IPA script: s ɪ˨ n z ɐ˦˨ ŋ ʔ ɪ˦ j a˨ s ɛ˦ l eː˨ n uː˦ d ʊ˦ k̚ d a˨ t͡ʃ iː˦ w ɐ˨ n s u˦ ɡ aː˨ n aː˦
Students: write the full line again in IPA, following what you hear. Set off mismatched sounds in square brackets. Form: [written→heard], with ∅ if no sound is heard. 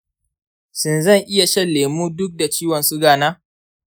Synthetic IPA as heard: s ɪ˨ n z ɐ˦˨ ŋ ʔ ɪ˦ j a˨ [s→ʃ] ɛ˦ l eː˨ [n→m] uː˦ d ʊ˦ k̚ d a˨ t͡ʃ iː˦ w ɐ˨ n s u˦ ɡ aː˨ n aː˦